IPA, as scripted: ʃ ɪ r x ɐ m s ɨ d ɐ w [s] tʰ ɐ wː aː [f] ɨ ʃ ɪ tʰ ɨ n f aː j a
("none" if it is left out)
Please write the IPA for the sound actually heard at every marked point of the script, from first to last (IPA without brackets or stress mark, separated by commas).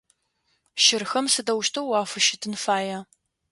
ʃ, f